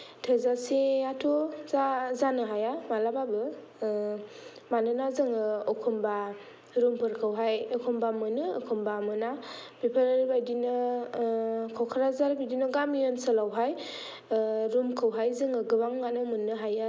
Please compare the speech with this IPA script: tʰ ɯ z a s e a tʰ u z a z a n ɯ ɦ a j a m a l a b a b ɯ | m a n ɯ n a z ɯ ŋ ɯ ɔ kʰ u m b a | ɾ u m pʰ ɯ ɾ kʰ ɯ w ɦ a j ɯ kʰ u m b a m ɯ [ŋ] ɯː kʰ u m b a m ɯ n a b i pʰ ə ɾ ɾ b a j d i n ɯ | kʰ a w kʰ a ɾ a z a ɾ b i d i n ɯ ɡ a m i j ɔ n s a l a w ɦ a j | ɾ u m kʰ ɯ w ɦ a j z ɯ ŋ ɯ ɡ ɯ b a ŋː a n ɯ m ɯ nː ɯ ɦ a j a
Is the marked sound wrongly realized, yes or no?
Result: yes